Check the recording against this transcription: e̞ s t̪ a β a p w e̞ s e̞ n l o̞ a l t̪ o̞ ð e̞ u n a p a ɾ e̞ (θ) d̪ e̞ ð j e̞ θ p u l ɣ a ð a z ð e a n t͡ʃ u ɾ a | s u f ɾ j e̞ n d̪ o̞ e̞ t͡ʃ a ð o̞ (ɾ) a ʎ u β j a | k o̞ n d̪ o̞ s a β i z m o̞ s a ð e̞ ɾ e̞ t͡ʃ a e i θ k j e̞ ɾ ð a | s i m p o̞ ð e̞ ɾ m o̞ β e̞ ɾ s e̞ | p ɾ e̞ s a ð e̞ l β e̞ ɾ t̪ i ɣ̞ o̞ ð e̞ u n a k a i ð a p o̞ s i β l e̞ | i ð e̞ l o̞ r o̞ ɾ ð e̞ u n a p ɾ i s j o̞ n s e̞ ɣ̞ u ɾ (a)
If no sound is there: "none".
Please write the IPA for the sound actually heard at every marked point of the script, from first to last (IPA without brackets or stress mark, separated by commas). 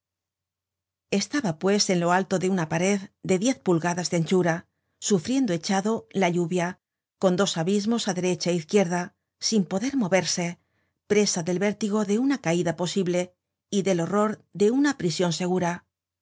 ð, l, a